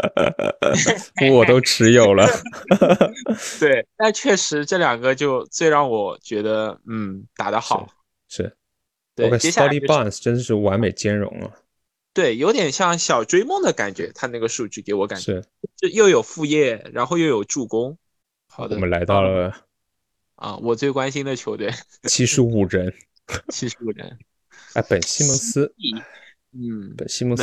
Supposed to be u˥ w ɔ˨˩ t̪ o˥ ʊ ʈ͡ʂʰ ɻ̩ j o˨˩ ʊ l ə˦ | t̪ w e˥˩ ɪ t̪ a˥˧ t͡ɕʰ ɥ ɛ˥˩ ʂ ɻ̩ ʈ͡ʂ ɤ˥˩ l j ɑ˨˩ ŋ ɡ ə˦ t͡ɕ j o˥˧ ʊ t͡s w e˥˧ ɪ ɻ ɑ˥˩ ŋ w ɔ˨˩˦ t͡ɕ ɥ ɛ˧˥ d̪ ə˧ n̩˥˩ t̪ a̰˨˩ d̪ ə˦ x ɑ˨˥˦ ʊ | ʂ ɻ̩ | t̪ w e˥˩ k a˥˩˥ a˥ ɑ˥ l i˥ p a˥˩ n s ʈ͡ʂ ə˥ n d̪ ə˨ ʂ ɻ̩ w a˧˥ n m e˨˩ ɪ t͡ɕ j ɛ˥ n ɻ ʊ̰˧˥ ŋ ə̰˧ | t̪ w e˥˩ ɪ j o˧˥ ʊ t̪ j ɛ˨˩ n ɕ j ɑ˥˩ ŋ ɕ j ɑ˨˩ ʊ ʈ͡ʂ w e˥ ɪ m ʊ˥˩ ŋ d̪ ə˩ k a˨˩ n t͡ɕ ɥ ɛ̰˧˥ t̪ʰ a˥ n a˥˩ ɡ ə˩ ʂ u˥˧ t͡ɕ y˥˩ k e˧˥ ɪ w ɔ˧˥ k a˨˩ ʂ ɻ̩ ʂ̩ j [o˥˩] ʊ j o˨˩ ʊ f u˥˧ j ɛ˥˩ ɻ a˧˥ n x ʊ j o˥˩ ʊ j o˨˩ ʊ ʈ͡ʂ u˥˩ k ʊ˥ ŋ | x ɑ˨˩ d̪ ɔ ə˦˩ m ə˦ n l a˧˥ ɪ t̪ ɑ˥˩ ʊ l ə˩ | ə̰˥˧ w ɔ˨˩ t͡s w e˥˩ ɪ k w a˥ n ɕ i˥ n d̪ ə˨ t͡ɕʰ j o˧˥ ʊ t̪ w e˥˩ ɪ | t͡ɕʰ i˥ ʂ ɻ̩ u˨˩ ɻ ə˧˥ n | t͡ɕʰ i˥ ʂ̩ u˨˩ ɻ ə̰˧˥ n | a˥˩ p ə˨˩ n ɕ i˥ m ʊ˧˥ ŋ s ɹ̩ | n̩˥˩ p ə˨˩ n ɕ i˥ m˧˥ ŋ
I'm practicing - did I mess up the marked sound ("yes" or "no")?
no